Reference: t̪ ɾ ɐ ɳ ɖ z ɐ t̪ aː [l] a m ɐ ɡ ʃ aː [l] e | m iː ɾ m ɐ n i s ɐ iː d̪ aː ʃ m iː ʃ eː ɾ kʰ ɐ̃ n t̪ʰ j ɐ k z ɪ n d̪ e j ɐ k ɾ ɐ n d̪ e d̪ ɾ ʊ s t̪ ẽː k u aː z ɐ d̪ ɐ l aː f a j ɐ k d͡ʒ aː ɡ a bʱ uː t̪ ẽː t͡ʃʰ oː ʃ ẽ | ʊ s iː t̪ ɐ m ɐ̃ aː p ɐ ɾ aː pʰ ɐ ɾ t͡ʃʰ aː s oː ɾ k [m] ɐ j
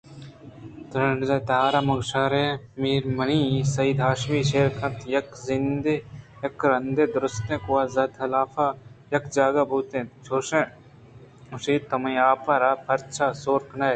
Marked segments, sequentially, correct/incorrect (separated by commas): incorrect, incorrect, incorrect